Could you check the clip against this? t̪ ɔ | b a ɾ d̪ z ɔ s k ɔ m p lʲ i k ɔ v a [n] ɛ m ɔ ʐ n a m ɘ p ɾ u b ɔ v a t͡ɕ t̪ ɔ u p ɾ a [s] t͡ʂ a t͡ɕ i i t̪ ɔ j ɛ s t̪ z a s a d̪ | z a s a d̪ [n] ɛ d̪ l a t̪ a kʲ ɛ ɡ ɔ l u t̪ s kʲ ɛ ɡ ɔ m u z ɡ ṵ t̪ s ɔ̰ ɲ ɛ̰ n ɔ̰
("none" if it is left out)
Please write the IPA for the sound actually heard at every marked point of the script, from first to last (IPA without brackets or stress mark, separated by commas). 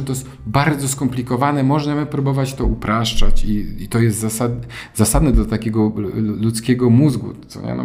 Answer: n, ʂ, n